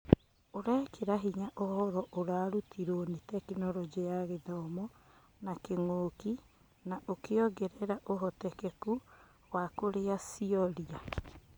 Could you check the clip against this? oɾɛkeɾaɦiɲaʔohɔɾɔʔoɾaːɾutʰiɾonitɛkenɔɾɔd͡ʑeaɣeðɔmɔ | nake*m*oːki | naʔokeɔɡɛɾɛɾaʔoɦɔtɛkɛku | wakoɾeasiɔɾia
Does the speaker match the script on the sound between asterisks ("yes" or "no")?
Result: no